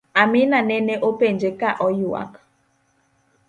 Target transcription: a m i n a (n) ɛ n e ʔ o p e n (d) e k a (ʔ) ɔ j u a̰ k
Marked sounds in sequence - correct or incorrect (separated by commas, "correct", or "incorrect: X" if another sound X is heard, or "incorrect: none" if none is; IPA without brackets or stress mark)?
correct, incorrect: d͡ʒ, correct